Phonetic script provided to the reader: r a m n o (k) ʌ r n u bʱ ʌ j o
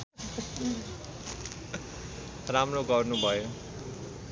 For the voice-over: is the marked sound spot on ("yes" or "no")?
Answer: no